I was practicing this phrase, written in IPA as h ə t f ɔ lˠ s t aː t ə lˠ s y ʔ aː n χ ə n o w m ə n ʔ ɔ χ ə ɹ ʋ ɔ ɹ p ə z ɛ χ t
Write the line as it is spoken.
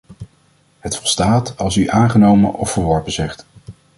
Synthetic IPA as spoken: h ə t f ɔ lˠ s t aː t ɑ lˠ s y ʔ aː n χ ə n o w m ə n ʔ ɔ f ə ɹ ʋ ɔ ɹ p ə z ɛ χ t